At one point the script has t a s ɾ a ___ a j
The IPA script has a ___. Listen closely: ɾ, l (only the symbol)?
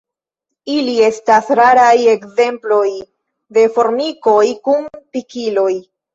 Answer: ɾ